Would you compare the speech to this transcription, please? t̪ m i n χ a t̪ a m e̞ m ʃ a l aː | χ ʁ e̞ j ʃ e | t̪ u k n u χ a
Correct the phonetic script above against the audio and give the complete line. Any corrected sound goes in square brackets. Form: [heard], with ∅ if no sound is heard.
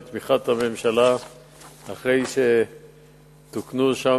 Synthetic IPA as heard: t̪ m i [∅] χ a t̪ a m e̞ m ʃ a l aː | χ ʁ e̞ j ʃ e | t̪ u k n u [ʃ] a